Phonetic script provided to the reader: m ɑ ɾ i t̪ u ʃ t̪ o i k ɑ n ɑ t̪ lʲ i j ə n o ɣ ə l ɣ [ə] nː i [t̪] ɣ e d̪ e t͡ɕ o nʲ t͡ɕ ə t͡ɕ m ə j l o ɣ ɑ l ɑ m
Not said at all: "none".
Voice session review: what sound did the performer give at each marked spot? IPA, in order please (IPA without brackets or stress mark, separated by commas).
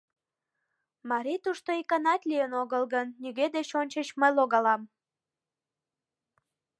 ə, none